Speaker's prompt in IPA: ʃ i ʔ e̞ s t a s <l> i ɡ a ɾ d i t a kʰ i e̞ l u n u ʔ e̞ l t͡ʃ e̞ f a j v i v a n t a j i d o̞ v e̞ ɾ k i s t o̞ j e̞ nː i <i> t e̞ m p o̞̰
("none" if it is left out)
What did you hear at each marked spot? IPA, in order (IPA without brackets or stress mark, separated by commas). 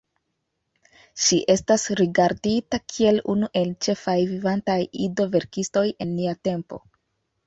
ɾ, a